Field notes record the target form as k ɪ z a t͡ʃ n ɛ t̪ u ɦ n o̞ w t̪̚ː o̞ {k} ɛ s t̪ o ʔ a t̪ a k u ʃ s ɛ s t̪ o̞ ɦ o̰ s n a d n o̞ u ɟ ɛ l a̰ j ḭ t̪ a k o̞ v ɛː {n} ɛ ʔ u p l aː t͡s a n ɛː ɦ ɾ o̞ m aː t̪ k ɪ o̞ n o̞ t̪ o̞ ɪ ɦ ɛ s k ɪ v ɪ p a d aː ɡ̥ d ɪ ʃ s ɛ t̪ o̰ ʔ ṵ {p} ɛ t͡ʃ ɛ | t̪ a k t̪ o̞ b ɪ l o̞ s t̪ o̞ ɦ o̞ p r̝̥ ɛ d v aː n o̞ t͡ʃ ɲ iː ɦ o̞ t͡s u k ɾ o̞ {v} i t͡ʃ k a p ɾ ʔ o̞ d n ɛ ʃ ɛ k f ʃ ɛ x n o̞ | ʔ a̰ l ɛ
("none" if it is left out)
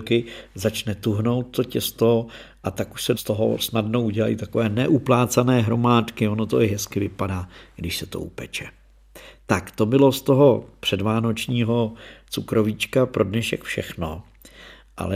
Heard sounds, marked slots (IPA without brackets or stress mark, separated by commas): c, n, p, v